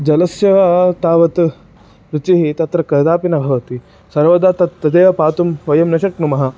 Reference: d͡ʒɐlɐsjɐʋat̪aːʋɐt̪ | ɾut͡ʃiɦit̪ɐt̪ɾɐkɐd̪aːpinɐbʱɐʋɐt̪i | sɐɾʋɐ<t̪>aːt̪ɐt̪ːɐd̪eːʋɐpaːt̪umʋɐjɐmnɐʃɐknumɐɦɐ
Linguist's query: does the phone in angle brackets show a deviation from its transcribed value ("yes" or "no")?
yes